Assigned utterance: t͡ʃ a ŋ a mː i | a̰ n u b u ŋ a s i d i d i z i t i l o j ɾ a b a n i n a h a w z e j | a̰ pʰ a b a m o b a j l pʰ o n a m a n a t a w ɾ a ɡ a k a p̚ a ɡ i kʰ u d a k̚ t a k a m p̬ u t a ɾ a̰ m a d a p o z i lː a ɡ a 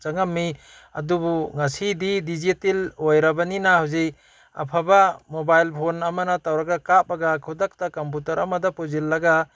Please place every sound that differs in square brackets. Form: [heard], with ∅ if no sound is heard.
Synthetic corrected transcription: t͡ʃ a ŋ a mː i | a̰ [d] u b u ŋ a s i d i d i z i t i l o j ɾ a b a n i n a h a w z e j | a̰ pʰ a b a m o b a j l pʰ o n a m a n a t a w ɾ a ɡ a k a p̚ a ɡ [a] kʰ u d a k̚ t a k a m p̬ u t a ɾ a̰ m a d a p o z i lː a ɡ a